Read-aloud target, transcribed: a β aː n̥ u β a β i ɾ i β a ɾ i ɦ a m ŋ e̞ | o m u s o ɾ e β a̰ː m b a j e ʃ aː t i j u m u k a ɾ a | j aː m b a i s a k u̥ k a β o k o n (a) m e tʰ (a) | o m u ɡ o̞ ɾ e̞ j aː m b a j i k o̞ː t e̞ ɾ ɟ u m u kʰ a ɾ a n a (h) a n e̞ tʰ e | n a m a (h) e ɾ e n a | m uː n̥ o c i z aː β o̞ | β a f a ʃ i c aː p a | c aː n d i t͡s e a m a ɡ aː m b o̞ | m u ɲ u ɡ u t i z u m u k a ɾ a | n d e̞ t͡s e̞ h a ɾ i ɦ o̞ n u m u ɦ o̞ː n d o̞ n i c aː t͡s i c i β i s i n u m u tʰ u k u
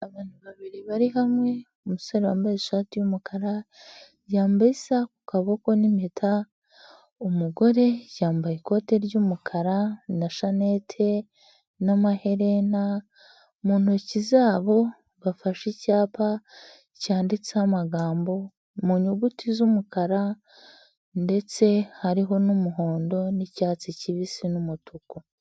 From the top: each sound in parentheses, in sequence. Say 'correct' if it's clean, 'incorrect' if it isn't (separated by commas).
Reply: incorrect, correct, incorrect, correct